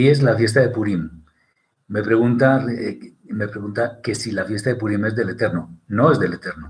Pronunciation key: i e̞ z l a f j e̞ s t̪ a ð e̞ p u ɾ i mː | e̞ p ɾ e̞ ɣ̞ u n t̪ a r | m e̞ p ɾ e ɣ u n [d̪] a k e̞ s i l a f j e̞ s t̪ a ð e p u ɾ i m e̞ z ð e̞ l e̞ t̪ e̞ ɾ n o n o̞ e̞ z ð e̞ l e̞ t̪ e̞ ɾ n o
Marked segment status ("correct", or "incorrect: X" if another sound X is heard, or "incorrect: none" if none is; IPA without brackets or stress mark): incorrect: t̪